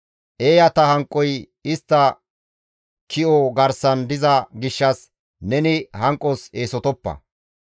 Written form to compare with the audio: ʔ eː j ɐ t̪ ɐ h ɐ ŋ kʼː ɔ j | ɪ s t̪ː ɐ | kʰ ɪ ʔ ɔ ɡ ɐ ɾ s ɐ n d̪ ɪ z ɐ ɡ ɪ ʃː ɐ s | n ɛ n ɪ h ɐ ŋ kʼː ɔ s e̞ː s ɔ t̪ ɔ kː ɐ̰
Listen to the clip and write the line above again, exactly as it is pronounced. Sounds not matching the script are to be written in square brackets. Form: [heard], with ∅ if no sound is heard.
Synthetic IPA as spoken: ʔ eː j ɐ t̪ ɐ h ɐ ŋ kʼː ɔ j | ɪ s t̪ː ɐ | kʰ ɪ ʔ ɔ ɡ ɐ ɾ s ɐ n d̪ ɪ z ɐ ɡ ɪ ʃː ɐ s | n ɛ n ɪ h ɐ ŋ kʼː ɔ s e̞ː s ɔ t̪ ɔ [pː] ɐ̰